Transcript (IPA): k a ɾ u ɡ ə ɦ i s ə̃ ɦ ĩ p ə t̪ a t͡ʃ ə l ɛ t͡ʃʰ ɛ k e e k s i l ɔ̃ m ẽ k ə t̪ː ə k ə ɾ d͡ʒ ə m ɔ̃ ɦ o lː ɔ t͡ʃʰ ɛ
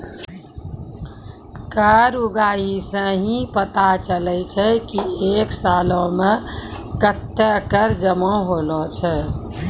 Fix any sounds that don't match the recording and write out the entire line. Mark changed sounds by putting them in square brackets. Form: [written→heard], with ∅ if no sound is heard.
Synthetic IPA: k a ɾ u ɡ [ə→a] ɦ i s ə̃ ɦ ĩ p ə t̪ a t͡ʃ ə l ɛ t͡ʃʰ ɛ k [e→i] e k s [i→a] l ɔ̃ m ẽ k ə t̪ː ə k ə ɾ d͡ʒ ə m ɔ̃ ɦ o [lː→l] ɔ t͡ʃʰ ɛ